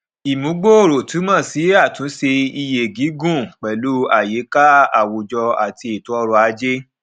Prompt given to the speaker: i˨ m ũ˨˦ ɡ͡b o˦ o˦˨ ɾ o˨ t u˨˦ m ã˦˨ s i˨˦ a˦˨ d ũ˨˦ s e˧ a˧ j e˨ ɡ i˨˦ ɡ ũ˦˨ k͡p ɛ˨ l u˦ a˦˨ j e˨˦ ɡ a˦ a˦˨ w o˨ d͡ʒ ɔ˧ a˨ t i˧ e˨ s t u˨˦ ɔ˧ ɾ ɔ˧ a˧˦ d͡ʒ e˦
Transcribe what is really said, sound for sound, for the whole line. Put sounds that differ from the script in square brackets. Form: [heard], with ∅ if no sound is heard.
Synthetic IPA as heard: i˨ m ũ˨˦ ɡ͡b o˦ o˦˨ ɾ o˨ t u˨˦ m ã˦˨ s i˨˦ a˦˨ [t] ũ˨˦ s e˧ [i˧] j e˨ ɡ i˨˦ ɡ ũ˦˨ k͡p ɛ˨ l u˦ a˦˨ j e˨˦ [k] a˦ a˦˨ w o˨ d͡ʒ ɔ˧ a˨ t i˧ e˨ [∅] t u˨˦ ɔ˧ ɾ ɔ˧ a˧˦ d͡ʒ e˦